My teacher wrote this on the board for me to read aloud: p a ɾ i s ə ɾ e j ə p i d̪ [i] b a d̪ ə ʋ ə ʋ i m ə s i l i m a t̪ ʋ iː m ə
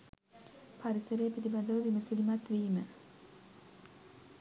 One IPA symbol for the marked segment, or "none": i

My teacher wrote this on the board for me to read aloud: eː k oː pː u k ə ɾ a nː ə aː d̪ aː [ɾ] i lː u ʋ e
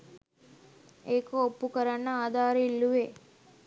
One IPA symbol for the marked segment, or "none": ɾ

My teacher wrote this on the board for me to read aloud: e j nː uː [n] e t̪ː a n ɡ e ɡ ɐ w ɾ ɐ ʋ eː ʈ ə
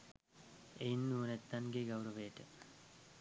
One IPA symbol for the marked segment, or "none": n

